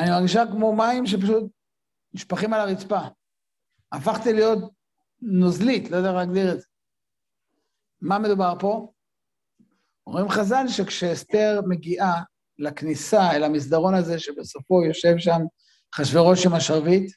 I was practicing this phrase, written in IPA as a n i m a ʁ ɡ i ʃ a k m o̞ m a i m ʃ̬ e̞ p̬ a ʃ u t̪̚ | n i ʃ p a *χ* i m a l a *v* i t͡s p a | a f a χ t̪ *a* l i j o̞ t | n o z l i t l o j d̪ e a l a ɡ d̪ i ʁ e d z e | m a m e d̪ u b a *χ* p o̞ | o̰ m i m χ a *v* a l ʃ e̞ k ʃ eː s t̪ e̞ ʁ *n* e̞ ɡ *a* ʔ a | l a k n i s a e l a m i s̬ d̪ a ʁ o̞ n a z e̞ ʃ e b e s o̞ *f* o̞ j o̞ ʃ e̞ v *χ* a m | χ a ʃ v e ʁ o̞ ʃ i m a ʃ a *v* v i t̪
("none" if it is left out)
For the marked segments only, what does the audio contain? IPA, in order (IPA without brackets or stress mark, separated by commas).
χ, ʁ, i, ʁ, z, m, i, f, ʃ, ʁ